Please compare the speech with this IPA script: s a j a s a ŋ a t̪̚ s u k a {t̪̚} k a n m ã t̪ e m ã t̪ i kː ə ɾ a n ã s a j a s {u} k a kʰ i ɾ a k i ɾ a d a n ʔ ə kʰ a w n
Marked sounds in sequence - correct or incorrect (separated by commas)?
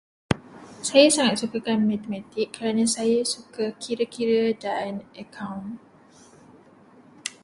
incorrect, correct